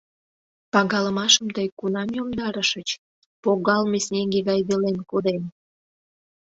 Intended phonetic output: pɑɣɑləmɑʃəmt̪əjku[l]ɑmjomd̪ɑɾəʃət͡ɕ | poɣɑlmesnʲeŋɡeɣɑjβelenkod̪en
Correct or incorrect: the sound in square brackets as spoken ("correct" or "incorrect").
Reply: correct